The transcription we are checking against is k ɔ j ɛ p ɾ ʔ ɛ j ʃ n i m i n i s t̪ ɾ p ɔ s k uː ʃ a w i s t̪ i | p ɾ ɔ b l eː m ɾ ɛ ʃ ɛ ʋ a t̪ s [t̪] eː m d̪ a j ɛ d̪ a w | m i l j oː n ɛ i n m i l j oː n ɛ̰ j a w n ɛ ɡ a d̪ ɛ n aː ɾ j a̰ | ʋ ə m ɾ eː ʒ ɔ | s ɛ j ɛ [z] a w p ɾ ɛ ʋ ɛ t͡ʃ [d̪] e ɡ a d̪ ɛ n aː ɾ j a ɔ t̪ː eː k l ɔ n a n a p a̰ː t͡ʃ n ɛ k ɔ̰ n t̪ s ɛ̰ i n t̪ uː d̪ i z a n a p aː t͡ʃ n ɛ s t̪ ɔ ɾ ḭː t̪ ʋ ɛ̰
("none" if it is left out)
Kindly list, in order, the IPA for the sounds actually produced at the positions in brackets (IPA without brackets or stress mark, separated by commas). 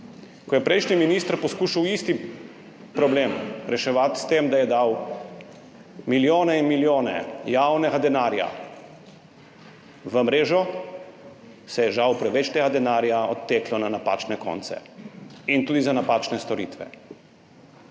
t̪, ʒ, t̪